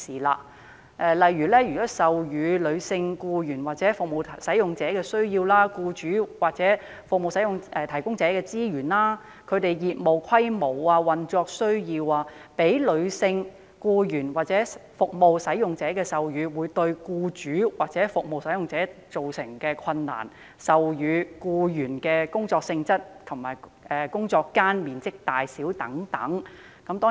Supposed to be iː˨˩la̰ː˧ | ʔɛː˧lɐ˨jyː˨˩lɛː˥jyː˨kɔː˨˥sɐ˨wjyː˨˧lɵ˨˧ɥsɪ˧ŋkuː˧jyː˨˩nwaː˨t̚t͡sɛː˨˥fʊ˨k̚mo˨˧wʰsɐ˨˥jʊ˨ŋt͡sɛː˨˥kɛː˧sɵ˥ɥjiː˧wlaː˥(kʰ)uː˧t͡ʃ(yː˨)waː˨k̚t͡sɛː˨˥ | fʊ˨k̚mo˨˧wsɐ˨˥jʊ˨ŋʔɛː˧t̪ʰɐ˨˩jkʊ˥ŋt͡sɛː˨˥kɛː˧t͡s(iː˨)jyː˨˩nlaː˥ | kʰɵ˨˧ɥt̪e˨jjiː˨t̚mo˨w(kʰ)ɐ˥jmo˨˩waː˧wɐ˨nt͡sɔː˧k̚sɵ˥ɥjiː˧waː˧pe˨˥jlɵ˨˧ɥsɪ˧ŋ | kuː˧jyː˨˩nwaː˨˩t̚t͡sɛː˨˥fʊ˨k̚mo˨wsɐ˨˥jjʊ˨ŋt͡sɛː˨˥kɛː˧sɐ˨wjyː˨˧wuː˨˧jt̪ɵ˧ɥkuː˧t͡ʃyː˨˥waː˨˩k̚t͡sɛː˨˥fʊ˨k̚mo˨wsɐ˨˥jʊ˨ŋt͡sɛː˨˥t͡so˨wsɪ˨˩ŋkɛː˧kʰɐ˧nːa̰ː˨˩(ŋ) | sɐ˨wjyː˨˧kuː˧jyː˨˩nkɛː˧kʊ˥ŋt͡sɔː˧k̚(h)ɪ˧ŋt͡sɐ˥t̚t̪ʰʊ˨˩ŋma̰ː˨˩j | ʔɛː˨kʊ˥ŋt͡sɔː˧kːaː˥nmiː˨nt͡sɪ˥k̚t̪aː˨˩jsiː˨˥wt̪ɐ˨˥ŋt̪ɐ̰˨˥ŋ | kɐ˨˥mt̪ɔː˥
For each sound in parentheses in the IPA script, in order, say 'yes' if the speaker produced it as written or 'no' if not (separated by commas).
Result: no, no, no, yes, no, no